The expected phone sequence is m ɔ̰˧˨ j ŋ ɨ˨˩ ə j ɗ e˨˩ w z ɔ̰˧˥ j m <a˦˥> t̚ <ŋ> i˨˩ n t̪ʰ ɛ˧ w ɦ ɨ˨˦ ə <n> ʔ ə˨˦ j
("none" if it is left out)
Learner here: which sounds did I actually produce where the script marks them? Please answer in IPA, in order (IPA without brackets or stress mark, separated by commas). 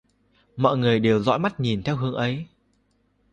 a˦˥, ɲ, ŋ